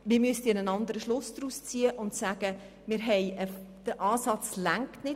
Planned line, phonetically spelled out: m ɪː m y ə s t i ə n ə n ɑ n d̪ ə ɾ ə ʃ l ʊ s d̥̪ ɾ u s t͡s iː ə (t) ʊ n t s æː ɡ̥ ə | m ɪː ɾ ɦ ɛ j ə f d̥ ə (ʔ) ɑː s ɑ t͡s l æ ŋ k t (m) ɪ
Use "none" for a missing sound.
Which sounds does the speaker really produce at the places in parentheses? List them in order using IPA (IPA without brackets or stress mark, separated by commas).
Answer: ʔ, ʔ, n